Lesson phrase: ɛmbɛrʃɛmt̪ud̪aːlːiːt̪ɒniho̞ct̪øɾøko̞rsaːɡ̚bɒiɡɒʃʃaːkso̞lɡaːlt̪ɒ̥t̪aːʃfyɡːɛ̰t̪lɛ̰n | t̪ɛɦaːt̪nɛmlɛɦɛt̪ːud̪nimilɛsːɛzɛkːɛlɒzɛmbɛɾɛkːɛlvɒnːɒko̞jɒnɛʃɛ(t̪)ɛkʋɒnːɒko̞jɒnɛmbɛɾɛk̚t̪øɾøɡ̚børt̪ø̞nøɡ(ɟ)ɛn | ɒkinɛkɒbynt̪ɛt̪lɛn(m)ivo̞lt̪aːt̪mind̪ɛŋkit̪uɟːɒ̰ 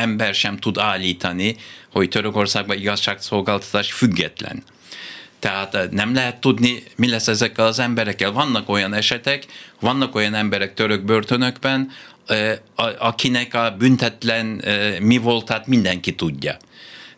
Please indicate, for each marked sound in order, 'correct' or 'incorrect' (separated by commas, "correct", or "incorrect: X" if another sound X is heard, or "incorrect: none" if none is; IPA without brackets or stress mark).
correct, incorrect: b, correct